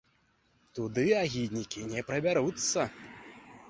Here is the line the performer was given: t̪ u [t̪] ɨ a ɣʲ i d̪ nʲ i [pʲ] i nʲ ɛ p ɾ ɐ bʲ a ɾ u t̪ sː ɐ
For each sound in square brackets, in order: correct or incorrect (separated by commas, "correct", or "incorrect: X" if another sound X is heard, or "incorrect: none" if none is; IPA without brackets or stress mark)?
incorrect: d̪, incorrect: kʲ